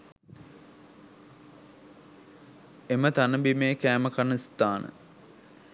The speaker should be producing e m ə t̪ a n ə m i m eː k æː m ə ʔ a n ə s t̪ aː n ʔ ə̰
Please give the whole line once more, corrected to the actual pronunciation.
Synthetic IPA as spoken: e m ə t̪ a n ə b i m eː k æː m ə k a n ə s t̪ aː n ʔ ə̰